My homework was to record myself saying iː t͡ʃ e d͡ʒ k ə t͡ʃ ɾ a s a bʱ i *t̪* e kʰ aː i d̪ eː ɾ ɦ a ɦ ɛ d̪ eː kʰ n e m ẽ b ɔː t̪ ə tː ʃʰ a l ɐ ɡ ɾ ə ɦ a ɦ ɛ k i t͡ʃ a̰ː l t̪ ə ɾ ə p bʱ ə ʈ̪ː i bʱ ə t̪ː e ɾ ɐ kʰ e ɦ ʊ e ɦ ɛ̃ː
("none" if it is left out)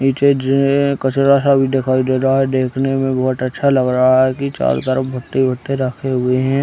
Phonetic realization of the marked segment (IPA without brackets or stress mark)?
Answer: d̪